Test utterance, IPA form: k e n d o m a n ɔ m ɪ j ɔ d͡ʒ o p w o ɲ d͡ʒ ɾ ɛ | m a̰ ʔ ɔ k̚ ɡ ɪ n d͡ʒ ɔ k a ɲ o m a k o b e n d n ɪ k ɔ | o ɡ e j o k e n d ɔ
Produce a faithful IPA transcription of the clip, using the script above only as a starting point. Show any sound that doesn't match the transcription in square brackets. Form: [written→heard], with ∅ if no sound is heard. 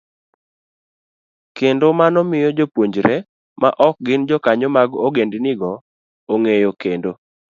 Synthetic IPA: k e n d o m a n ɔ m ɪ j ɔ d͡ʒ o p w o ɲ d͡ʒ ɾ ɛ | m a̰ ʔ ɔ k̚ ɡ ɪ n d͡ʒ ɔ k a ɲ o m a [k→ɡ] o [b→ɡ] e n d n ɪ [k→ɡ] ɔ | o [ɡ→ŋ] e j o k e n d [ɔ→o]